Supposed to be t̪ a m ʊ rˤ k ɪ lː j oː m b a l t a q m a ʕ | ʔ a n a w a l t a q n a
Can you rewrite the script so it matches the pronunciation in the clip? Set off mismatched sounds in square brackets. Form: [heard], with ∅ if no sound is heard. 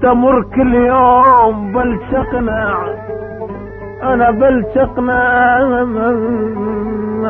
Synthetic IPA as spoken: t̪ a m ʊ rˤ k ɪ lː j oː m b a l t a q [n] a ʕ | ʔ a n a [b] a l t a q n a